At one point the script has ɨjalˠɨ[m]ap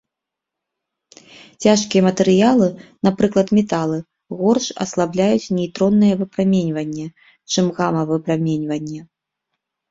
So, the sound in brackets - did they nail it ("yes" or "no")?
no